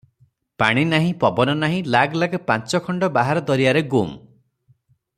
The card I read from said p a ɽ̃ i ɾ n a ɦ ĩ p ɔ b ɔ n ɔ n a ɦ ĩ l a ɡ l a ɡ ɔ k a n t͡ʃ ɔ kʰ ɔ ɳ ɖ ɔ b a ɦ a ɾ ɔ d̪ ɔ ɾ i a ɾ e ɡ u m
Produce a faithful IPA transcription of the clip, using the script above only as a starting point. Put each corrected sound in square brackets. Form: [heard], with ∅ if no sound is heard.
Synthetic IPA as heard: p a ɽ̃ i [∅] n a ɦ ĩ p ɔ b ɔ n ɔ n a ɦ ĩ l a ɡ l a ɡ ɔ [p] a n t͡ʃ ɔ kʰ ɔ ɳ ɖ ɔ b a ɦ a ɾ ɔ d̪ ɔ ɾ i a ɾ e ɡ u m